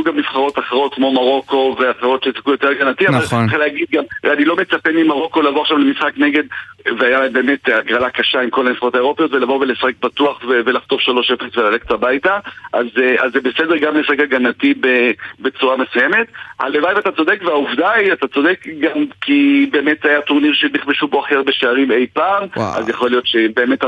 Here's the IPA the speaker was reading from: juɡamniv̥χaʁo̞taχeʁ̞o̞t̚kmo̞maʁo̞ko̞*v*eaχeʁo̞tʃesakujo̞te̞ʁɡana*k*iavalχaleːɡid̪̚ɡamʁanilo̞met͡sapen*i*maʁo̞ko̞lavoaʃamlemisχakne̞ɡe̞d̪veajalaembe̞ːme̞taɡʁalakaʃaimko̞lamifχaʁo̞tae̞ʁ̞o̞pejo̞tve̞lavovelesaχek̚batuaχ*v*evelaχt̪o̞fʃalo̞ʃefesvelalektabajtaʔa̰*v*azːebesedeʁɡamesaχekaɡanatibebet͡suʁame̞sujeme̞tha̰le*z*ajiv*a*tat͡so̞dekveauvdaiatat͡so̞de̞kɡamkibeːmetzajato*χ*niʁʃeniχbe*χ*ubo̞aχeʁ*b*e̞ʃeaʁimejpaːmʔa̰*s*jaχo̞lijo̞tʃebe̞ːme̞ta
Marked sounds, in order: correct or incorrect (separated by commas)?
correct, incorrect, correct, correct, incorrect, incorrect, correct, incorrect, incorrect, correct, incorrect